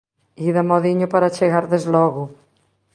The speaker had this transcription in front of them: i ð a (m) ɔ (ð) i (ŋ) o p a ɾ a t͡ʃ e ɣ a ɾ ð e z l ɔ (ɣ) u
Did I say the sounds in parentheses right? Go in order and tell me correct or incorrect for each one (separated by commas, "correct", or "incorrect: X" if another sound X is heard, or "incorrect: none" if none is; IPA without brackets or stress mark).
correct, correct, incorrect: ɲ, correct